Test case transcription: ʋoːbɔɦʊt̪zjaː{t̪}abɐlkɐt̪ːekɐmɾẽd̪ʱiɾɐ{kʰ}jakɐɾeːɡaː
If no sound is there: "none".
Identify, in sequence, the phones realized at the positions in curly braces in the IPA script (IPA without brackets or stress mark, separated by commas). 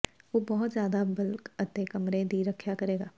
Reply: d̪, kʰ